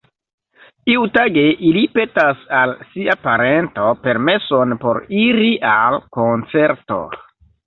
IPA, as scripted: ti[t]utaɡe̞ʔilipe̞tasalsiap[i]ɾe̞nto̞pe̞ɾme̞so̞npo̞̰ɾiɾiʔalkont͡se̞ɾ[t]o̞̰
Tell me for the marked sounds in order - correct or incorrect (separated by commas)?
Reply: incorrect, incorrect, correct